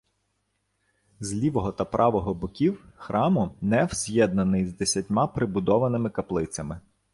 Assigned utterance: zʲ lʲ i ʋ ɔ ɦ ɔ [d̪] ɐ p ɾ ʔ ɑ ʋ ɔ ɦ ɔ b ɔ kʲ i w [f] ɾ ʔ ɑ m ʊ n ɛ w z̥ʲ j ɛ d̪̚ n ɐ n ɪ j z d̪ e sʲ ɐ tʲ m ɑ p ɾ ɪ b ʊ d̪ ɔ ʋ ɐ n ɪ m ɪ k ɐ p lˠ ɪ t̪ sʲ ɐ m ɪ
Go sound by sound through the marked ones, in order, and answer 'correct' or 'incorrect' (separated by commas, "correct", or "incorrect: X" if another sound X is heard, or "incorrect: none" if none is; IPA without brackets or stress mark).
incorrect: t̪, incorrect: x